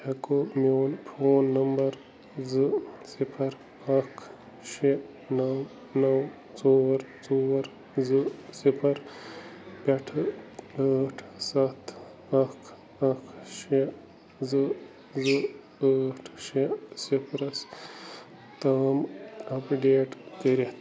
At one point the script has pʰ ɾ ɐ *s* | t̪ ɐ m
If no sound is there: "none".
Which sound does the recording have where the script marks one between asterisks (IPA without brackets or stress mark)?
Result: s